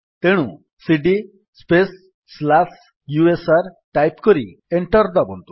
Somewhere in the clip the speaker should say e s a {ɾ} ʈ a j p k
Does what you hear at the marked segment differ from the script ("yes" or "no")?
no